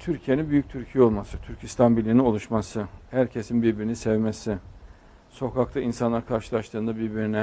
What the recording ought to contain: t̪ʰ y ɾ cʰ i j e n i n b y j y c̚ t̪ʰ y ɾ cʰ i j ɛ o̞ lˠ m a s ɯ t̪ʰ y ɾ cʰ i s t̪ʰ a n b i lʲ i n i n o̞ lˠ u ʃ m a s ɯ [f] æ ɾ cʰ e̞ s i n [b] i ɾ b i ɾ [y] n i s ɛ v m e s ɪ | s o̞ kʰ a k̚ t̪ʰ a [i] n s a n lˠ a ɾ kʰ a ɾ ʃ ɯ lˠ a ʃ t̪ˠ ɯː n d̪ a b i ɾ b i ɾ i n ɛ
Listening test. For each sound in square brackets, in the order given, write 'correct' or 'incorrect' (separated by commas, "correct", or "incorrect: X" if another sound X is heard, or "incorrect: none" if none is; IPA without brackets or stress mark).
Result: incorrect: h, correct, incorrect: i, correct